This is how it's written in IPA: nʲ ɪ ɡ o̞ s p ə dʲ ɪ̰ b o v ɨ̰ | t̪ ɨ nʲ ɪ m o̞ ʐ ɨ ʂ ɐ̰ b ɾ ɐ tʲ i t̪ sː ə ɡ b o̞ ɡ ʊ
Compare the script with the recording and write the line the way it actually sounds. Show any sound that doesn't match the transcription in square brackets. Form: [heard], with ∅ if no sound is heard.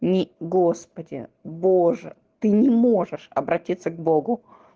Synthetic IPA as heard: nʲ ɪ ɡ o̞ s p ə dʲ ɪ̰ b o [ʐ] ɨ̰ | t̪ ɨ nʲ ɪ m o̞ ʐ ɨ ʂ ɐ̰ b ɾ ɐ tʲ i t̪ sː ə ɡ b o̞ ɡ ʊ